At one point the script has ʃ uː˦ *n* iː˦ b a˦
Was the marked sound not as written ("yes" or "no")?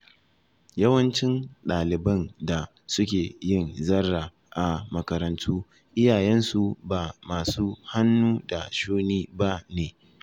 no